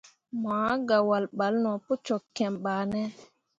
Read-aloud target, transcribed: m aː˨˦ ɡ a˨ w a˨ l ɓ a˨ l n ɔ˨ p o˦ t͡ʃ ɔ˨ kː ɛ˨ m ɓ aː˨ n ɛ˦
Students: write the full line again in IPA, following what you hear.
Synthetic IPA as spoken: m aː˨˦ ɡ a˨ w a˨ l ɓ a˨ l n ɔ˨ p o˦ t͡ʃ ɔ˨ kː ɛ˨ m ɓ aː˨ n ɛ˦